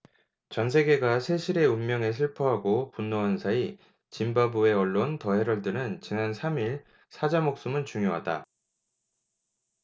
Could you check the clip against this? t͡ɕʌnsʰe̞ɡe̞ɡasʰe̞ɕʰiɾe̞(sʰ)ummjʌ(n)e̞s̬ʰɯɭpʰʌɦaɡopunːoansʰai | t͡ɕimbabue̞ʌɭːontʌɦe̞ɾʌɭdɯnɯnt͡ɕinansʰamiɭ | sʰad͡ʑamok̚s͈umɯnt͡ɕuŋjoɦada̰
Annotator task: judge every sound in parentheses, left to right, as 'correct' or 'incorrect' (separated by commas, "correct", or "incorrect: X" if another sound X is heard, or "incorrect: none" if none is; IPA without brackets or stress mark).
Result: incorrect: none, incorrect: ŋ